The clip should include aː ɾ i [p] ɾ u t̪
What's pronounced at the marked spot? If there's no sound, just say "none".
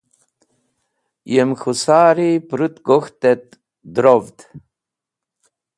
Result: p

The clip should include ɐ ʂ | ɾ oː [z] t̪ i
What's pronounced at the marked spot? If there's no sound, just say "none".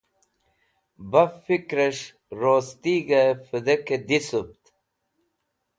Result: s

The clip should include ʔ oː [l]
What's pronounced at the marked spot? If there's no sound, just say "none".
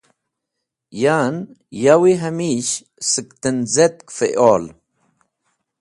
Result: l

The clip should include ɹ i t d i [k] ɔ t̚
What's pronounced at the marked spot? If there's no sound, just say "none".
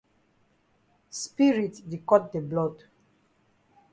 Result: k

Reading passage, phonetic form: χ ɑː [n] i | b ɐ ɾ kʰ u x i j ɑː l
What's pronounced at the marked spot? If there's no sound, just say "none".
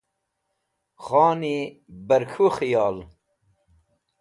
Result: n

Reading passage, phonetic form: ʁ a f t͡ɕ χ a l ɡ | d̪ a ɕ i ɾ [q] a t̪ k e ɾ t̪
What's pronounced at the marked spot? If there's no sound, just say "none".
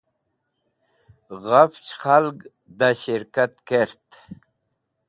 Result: k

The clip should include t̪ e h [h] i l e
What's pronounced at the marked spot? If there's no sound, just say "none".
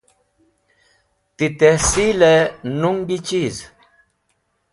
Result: s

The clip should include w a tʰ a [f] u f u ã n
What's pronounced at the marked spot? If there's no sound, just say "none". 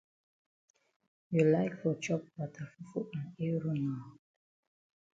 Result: f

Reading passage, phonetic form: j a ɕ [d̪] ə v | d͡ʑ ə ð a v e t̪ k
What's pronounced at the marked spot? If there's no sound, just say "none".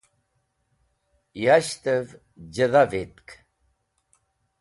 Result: t̪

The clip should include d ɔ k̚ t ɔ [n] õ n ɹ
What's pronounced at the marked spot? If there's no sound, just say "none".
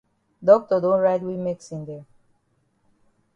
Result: d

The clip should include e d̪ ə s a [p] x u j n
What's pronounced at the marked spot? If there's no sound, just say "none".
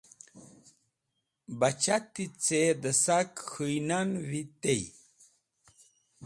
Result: k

